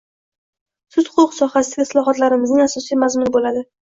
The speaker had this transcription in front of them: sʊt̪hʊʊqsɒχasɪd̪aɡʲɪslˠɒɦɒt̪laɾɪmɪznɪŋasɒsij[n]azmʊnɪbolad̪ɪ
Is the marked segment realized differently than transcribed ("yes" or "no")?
yes